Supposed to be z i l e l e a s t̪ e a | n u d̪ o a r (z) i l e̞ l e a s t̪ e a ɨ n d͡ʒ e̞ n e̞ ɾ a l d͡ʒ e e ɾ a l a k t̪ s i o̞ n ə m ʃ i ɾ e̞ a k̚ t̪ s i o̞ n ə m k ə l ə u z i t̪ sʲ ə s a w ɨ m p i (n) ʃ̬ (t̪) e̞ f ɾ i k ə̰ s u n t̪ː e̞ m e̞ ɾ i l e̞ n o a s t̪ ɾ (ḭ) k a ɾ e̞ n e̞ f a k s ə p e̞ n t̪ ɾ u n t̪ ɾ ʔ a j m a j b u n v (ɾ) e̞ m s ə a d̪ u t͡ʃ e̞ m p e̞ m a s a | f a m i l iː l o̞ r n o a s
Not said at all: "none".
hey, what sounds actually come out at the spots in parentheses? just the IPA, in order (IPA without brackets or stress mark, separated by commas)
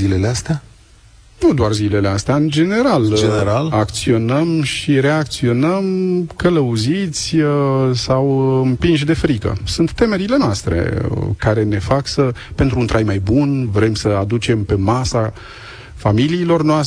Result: z, n, d̪, ḛ, ɾ